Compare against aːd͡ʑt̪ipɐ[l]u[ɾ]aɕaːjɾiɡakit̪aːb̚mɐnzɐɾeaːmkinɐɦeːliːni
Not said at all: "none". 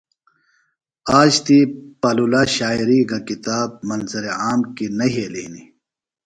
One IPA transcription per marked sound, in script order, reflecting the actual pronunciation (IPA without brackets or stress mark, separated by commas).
l, l